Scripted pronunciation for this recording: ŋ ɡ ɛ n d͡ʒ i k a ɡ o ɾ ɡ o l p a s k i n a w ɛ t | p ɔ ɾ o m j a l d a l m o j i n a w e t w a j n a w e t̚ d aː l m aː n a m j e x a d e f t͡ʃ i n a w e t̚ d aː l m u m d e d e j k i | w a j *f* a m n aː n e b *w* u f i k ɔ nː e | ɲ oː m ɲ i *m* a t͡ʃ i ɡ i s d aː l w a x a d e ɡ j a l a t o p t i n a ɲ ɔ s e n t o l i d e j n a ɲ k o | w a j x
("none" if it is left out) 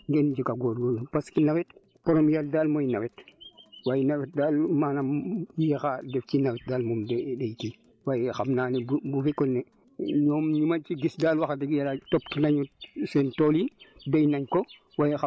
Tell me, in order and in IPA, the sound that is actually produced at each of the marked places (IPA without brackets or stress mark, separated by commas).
x, b, m